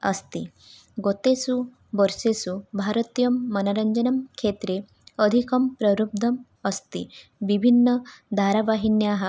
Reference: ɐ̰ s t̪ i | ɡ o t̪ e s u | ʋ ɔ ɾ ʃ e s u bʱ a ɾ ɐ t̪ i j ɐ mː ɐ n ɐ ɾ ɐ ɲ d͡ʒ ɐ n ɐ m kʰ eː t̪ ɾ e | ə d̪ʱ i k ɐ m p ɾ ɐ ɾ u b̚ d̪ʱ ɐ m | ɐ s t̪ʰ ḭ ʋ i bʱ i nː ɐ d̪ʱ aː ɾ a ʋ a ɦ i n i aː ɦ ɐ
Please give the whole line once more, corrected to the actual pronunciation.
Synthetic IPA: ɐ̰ s t̪ i | ɡ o t̪ e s u | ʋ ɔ ɾ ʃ e s u bʱ a ɾ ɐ t̪ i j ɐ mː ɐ n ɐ ɾ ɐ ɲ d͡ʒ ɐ n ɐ m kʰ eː t̪ ɾ e | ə d̪ʱ i k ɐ m p ɾ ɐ ɾ u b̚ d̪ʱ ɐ m | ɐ s t̪ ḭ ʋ i bʱ i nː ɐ d̪ʱ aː ɾ a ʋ a ɦ i n j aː ɦ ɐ

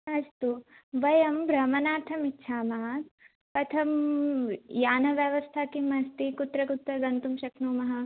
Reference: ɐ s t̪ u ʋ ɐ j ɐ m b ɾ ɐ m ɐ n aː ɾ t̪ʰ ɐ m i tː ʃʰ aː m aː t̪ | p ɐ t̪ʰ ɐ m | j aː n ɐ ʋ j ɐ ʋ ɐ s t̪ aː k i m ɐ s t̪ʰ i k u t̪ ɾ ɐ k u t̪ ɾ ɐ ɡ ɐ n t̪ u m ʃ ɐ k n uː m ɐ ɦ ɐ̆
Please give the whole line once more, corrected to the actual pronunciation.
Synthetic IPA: ɐ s t̪ u ʋ ɐ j ɐ m b ɾ ɐ m ɐ n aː ɾ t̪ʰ ɐ m i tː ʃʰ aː m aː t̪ | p ɐ t̪ʰ ɐ m | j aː n ɐ ʋ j ɐ ʋ ɐ s t̪ʰ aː k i m ɐ s t̪ i k u t̪ ɾ ɐ k u t̪ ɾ ɐ ɡ ɐ n t̪ u m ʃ ɐ k n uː m ɐ ɦ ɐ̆

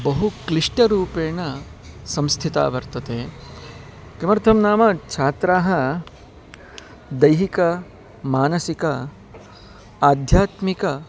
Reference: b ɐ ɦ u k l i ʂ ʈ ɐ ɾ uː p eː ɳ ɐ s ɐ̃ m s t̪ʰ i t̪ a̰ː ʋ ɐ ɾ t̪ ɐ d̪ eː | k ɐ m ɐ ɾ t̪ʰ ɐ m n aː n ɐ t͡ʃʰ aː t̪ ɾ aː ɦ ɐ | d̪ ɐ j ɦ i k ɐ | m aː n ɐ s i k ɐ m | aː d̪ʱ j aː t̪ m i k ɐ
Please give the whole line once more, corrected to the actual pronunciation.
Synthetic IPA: b ɐ ɦ u k l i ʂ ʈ ɐ ɾ uː p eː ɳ ɐ s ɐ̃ m s t̪ʰ i t̪ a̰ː ʋ ɐ ɾ t̪ ɐ t̪ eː | k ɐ m ɐ ɾ t̪ʰ ɐ m n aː m ɐ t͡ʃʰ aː t̪ ɾ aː ɦ ɐ | d̪ ɐ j ɦ i k ɐ | m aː n ɐ s i k ɐ | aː d̪ʱ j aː t̪ m i k ɐ

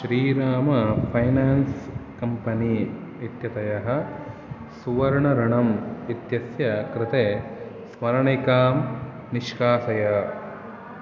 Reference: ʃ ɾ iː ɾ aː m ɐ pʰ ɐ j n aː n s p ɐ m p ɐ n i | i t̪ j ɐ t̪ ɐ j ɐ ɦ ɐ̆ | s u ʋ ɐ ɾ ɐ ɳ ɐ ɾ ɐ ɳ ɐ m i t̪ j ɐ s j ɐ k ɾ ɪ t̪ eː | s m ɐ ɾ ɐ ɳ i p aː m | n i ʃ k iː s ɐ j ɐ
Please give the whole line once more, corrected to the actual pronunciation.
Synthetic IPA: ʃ ɾ iː ɾ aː m ɐ pʰ ɐ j n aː n s k ɐ m p ɐ n i | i t̪ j ɐ t̪ ɐ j ɐ ɦ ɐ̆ | s u ʋ ɐ ɾ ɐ ɳ ɐ ɾ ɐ ɳ ɐ m i t̪ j ɐ s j ɐ k ɾ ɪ t̪ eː | s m ɐ ɾ ɐ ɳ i k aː m | n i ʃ k aː s ɐ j ɐ

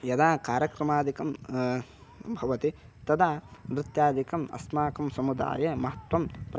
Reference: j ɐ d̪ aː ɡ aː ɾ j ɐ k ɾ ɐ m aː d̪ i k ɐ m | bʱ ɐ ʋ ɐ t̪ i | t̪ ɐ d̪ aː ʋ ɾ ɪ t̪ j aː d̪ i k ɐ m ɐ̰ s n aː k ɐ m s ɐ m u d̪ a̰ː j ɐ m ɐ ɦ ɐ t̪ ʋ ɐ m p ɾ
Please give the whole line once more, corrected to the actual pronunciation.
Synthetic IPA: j ɐ d̪ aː k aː ɾ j ɐ k ɾ ɐ m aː d̪ i k ɐ m | bʱ ɐ ʋ ɐ t̪ i | t̪ ɐ d̪ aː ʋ ɾ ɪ t̪ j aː d̪ i k ɐ m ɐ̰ s m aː k ɐ m s ɐ m u d̪ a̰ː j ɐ m ɐ ɦ ɐ t̪ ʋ ɐ m p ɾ

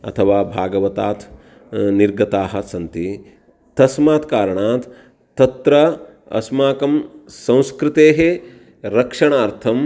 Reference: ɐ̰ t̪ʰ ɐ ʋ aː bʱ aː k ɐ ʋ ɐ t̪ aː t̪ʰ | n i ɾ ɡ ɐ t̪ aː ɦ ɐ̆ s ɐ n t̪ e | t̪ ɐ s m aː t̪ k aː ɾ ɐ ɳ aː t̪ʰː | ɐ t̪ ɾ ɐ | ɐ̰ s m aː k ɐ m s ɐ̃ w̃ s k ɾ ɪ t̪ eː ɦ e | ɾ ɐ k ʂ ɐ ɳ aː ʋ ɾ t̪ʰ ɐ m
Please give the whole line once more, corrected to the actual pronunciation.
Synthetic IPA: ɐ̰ t̪ʰ ɐ ʋ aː bʱ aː ɡ ɐ ʋ ɐ t̪ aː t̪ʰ | n i ɾ ɡ ɐ t̪ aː ɦ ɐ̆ s ɐ n t̪ i | t̪ ɐ s m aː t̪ k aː ɾ ɐ ɳ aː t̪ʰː | ɐ t̪ ɾ ɐ | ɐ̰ s m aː k ɐ m s ɐ̃ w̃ s k ɾ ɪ t̪ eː ɦ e | ɾ ɐ k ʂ ɐ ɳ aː ɾ t̪ʰ ɐ m

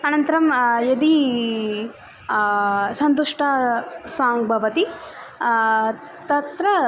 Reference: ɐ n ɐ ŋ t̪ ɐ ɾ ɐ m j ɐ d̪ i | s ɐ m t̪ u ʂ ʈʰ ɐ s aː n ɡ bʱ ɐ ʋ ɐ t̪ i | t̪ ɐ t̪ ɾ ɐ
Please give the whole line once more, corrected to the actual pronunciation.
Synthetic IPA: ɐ n ɐ n t̪ ɐ ɾ ɐ m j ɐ d̪ i | s ɐ n t̪ u ʂ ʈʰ ɐ s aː ŋ ɡ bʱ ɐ ʋ ɐ t̪ i | t̪ ɐ t̪ ɾ ɐ

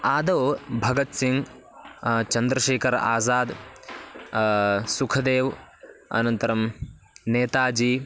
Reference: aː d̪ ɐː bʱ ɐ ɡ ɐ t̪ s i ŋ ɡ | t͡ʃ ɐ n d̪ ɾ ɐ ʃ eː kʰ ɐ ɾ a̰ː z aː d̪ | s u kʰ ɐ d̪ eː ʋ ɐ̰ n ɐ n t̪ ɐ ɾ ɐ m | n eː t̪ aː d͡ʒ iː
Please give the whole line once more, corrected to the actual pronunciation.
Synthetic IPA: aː d̪ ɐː bʱ ɐ ɡ ɐ t̪ s i ŋ ɡ | t͡ʃ ɐ n d̪ ɾ ɐ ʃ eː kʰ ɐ ɾ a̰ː z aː d̪ | s u kʰ ɐ d̪ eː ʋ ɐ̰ n ɐ n t̪ ɐ ɾ ɐ m | n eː t̪ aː d͡ʒ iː

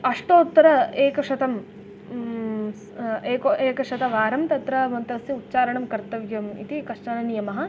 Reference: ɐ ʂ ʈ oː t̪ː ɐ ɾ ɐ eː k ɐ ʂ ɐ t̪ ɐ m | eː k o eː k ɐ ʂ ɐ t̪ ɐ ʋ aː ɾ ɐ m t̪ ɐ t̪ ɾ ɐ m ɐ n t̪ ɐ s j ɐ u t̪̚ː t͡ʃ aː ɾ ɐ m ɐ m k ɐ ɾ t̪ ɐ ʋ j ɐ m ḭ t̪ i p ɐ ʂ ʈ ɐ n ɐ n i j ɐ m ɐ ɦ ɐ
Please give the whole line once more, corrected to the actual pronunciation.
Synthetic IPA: ɐ ʂ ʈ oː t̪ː ɐ ɾ ɐ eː k ɐ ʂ ɐ t̪ ɐ m | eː k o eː k ɐ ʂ ɐ t̪ ɐ ʋ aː ɾ ɐ m t̪ ɐ t̪ ɾ ɐ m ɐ n t̪ ɐ s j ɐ u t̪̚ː t͡ʃ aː ɾ ɐ ɳ ɐ m k ɐ ɾ t̪ ɐ ʋ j ɐ m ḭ t̪ i k ɐ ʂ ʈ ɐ n ɐ n i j ɐ m ɐ ɦ ɐ

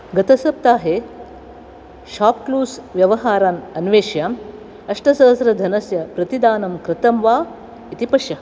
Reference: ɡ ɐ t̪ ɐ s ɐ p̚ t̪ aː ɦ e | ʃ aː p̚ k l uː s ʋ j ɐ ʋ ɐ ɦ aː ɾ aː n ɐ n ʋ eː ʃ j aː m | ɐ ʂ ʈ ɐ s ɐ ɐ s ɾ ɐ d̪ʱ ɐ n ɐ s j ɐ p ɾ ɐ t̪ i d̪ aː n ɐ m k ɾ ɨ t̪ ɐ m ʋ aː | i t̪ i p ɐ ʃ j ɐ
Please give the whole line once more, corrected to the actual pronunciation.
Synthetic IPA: ɡ ɐ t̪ ɐ s ɐ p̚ t̪ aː ɦ e | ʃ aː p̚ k l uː s ʋ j ɐ ʋ ɐ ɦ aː ɾ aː n ɐ n ʋ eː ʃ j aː m | ɐ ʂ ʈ ɐ s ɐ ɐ s ɾ ɐ d̪ʱ ɐ n ɐ s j ɐ p ɾ ɐ t̪ i d̪ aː n ɐ m k ɾ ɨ t̪ ɐ m ʋ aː | i t̪ i p ɐ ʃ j ɐ

